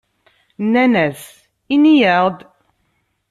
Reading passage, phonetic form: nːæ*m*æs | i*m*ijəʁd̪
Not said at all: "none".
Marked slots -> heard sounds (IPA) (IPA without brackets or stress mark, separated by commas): n, n